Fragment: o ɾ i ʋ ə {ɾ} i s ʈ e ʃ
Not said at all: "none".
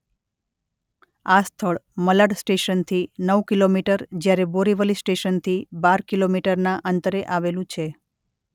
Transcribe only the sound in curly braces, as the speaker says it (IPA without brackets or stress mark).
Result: l